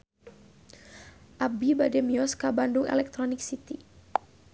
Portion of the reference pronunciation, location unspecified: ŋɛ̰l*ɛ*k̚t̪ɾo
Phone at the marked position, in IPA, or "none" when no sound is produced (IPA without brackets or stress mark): ɛ